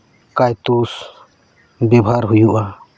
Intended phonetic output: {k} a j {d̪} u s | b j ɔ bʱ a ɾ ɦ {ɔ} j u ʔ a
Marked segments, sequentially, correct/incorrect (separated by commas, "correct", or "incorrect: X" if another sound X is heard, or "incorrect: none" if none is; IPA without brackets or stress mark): correct, incorrect: t̪, incorrect: u